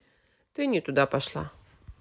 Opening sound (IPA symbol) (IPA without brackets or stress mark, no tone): t̪